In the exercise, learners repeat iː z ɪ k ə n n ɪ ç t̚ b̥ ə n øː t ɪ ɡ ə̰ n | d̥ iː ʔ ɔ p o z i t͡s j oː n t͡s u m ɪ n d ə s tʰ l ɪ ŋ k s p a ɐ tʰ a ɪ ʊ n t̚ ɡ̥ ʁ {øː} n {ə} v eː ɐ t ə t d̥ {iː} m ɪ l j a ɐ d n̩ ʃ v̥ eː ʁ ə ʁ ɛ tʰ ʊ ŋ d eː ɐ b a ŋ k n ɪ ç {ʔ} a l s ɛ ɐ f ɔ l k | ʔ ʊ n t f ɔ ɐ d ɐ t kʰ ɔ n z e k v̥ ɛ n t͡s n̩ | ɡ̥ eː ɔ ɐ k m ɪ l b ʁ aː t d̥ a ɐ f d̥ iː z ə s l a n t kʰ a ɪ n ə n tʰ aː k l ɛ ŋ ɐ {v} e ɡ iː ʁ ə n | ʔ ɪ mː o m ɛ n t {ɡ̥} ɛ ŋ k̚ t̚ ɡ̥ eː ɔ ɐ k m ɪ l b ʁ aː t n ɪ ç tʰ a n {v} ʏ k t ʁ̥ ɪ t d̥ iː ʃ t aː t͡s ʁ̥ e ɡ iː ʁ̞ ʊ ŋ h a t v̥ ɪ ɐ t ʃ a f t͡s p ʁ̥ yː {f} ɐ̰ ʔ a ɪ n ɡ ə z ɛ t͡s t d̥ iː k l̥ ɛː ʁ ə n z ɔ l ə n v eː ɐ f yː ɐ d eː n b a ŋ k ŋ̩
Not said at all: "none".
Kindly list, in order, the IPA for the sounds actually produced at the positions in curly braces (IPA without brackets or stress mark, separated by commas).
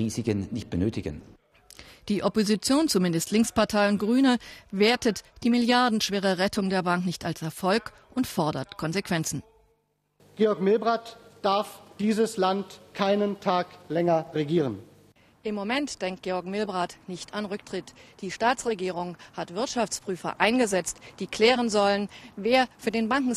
yː, ə, iː, t, ʁ, d̥, ʁ, f